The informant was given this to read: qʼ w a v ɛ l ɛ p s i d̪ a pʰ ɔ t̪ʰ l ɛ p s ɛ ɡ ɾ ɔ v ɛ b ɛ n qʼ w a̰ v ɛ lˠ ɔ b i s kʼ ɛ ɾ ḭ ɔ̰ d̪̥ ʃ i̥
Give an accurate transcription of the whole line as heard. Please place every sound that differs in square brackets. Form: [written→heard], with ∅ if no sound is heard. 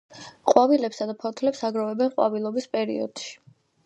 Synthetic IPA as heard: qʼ w a v [ɛ→i] l ɛ p s [i→a] d̪ a pʰ ɔ t̪ʰ l ɛ p s [ɛ→a] ɡ ɾ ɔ v ɛ b ɛ n qʼ w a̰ v [ɛ→i] lˠ ɔ b i s [kʼ→pʼ] ɛ ɾ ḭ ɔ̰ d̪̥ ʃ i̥